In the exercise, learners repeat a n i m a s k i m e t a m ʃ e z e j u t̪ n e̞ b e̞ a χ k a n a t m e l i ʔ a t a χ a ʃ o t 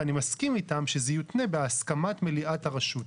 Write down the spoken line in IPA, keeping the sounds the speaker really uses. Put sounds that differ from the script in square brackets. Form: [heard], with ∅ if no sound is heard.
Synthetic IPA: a n i m a s k i m [i] t a m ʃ e z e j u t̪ n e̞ b e̞ a [s] k a [m] a t m e l i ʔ a t a [ʁ] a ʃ [u] t